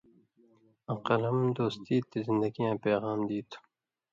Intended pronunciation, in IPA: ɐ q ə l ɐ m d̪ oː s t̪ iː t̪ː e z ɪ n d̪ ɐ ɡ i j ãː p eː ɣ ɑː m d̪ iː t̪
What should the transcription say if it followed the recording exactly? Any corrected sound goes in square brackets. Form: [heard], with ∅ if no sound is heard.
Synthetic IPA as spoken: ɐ q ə l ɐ m d̪ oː s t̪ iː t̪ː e z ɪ n d̪ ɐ ɡ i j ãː p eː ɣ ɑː m d̪ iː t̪

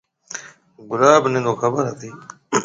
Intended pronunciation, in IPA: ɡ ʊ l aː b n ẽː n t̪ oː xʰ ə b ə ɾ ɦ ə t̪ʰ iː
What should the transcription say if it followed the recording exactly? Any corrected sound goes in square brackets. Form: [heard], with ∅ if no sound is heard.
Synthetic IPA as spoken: ɡ ʊ l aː b n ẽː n [d̪] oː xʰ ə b ə ɾ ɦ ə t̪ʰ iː

